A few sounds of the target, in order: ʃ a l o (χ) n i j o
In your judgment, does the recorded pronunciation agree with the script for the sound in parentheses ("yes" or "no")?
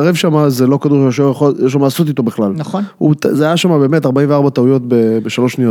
no